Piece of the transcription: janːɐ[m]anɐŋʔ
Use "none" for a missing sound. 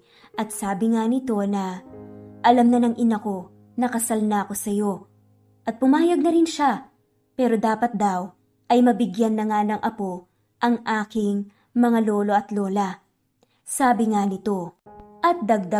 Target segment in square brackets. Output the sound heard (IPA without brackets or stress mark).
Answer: ŋ